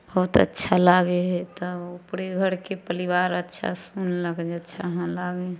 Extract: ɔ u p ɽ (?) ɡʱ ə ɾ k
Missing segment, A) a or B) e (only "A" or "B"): B